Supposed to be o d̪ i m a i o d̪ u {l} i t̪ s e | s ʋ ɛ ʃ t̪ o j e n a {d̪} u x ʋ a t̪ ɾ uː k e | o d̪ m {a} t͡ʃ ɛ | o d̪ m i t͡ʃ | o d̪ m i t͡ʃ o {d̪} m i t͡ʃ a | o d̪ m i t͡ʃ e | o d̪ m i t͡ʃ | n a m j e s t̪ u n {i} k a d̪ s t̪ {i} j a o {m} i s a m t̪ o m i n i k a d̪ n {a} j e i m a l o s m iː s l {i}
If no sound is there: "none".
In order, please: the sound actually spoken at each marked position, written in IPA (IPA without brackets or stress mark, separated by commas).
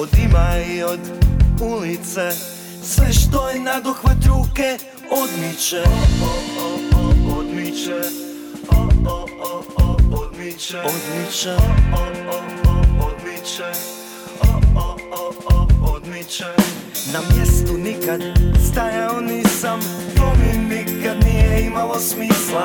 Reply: l, d̪, i, d̪, i, a, n, i, a